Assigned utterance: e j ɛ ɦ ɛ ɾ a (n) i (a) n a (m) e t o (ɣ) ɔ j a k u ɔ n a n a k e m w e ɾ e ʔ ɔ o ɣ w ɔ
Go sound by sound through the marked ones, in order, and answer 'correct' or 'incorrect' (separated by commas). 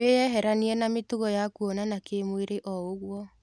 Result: correct, incorrect, correct, correct